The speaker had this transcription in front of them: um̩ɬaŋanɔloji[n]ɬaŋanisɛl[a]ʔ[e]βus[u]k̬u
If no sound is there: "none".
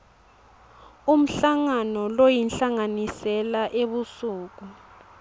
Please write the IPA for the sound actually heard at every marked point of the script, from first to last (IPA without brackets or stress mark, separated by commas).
n, a, e, uː